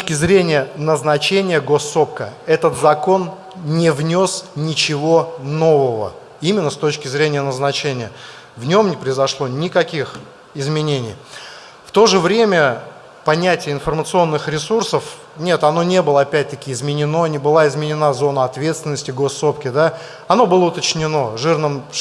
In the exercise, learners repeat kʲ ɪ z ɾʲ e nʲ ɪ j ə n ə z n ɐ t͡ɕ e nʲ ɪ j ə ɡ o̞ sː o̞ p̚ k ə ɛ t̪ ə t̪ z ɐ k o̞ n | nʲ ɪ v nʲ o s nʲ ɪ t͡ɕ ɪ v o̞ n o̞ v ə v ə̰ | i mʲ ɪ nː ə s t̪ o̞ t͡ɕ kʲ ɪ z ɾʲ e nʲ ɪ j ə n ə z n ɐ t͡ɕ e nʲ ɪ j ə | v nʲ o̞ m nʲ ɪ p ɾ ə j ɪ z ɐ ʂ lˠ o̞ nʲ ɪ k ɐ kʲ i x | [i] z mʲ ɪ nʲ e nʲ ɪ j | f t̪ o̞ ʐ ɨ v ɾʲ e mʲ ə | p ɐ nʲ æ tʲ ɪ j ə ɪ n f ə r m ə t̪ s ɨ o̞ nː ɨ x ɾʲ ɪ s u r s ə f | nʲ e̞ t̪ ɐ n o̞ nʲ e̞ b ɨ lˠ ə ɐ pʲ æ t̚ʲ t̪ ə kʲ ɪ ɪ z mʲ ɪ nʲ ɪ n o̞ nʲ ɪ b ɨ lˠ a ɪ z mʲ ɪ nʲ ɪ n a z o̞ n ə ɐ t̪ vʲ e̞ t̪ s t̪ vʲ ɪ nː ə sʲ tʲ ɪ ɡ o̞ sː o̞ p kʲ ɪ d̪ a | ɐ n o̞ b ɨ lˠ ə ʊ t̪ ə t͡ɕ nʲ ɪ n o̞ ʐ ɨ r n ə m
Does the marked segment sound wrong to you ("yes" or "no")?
yes